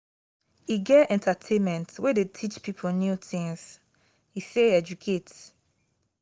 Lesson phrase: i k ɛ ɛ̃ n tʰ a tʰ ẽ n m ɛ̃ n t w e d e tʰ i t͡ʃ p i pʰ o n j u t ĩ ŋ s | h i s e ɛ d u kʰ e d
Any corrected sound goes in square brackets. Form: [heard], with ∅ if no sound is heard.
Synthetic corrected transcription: i [ɡ] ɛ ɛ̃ n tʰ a tʰ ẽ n m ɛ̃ n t w e d e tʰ i t͡ʃ p i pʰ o n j u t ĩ ŋ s | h i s e ɛ [d͡ʒ] u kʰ e [t]